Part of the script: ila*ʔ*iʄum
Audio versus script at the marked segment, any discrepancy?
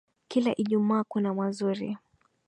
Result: no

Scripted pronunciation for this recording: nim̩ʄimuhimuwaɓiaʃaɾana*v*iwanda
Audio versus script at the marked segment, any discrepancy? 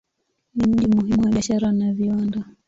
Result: no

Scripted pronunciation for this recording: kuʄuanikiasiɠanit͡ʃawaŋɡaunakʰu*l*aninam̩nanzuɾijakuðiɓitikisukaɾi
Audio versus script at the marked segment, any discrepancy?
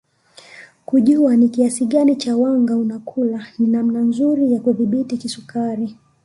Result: no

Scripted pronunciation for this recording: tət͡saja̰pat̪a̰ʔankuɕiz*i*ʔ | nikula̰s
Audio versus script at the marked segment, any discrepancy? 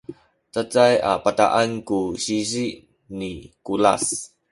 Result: no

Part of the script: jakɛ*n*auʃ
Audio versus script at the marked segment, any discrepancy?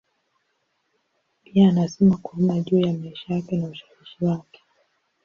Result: no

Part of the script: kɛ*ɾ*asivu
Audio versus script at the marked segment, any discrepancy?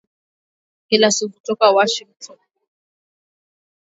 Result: yes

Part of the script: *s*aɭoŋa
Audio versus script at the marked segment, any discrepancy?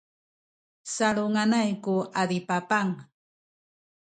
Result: no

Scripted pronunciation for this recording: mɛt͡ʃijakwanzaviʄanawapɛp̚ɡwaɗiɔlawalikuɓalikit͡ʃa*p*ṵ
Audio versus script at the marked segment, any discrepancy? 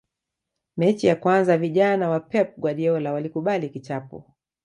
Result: no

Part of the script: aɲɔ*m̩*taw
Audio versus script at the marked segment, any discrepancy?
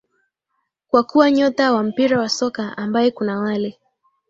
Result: yes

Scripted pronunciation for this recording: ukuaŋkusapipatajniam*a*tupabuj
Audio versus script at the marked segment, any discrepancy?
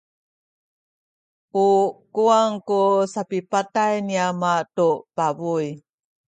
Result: no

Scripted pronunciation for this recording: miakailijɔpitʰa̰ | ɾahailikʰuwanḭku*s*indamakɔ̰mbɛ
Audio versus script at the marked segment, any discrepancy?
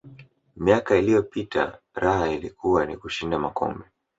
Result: yes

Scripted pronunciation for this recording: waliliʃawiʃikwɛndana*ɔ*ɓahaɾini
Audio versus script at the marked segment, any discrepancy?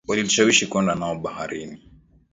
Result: no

